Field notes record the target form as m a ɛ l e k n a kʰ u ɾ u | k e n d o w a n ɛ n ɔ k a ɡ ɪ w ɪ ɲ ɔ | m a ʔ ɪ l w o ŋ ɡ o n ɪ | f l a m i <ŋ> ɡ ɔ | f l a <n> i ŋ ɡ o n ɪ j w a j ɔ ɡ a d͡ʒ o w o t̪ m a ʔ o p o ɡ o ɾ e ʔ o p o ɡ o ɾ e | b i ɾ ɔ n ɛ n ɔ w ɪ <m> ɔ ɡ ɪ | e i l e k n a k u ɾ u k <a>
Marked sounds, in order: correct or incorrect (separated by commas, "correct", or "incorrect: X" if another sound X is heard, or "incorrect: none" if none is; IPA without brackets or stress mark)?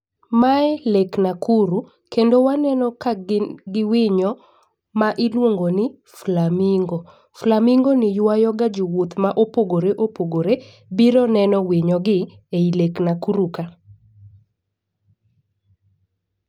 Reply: correct, incorrect: m, incorrect: ɲ, correct